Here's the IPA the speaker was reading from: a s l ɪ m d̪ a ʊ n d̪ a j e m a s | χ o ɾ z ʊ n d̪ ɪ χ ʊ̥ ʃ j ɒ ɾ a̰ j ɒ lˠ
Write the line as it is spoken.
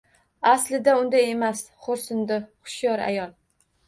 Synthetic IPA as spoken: a s l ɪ d̪ a ʊ n d̪ a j e m a s | χ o ɾ s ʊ n d̪ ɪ χ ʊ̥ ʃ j ɒ ɾ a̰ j ɒ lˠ